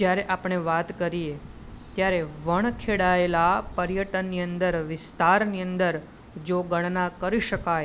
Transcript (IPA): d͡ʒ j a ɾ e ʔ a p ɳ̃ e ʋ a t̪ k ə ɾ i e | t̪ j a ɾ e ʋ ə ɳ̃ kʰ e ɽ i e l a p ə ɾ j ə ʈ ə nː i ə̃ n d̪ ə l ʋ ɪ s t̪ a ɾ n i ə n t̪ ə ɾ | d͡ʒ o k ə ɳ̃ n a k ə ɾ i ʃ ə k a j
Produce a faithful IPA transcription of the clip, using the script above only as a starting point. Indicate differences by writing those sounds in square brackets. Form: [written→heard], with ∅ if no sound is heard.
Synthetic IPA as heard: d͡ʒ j a ɾ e ʔ a p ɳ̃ e ʋ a t̪ k ə ɾ i e | t̪ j a ɾ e ʋ ə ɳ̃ kʰ e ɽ [i→a] e l a p ə ɾ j ə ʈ ə nː i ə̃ n d̪ ə [l→ɾ] ʋ ɪ s t̪ a ɾ n i ə n [t̪→d̪] ə ɾ | d͡ʒ o [k→ɡ] ə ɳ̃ n a k ə ɾ i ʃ ə k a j